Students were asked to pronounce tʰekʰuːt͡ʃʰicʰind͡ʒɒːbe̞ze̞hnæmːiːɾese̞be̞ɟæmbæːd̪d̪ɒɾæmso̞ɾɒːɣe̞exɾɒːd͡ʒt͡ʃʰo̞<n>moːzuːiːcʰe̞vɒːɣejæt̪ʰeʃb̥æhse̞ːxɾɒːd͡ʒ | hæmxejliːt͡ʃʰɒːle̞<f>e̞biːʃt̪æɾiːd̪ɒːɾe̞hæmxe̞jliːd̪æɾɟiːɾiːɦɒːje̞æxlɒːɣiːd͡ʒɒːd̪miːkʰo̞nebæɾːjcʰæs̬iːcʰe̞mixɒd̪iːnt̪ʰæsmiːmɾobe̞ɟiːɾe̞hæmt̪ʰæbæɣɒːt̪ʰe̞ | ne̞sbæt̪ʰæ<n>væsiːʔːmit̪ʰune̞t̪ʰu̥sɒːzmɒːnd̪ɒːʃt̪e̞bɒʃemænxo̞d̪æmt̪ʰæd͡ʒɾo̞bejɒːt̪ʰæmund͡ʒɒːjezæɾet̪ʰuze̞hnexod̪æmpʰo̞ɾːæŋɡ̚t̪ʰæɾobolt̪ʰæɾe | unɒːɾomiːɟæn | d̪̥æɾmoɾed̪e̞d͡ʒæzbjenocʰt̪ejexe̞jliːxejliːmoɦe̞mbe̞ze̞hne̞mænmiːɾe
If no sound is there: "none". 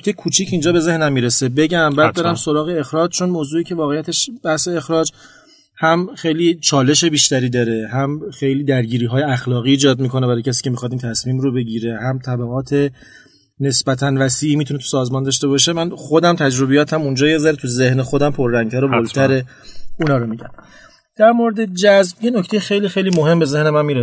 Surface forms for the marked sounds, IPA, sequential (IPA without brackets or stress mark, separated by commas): n, ʃ, n